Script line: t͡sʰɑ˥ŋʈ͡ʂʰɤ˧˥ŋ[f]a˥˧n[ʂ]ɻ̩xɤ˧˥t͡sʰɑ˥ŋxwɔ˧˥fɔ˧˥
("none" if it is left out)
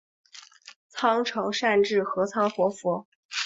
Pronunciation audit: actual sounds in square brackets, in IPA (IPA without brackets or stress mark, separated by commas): ʂ, ʈ͡ʂ